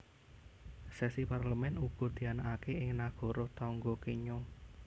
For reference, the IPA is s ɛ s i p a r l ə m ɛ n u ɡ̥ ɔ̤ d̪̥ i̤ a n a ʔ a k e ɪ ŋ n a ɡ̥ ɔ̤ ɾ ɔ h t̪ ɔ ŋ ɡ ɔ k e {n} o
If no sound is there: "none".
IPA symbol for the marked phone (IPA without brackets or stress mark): ɲ